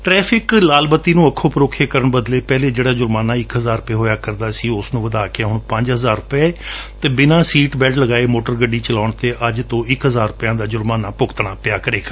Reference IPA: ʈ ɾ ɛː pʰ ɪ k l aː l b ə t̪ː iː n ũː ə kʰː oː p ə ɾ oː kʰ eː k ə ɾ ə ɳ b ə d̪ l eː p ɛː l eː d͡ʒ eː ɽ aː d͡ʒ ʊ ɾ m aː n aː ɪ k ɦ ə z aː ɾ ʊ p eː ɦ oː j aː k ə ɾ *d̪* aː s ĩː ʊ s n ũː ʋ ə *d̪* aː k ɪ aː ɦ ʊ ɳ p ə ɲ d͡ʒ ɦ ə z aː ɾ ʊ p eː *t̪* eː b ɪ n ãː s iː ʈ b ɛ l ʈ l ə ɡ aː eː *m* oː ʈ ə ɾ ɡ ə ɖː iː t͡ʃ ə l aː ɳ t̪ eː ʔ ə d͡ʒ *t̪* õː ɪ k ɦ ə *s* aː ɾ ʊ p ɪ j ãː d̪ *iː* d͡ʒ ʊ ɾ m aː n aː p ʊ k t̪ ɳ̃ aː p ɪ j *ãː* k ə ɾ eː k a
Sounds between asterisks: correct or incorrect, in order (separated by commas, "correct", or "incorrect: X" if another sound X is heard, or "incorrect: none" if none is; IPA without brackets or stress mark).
correct, correct, correct, correct, correct, incorrect: z, incorrect: aː, incorrect: aː